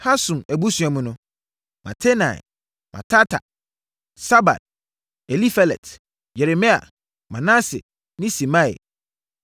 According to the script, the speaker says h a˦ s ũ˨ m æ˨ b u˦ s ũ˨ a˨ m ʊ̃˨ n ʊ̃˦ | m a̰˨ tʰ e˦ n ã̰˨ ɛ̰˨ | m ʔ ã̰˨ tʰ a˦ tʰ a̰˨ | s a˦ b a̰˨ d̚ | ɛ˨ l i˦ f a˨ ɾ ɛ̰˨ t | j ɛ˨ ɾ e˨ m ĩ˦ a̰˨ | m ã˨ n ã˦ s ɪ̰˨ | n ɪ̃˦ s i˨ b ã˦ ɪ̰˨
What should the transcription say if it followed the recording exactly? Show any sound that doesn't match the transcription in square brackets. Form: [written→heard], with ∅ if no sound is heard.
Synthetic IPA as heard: h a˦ s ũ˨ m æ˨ b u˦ s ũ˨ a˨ m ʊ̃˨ n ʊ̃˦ | m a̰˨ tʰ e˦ n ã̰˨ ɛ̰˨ | m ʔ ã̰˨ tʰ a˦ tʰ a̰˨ | s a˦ b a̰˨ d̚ | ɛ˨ l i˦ f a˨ [ɾ→l] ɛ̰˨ t | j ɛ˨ ɾ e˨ m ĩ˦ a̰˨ | m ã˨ n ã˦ s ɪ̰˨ | n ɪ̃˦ s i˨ [b→m] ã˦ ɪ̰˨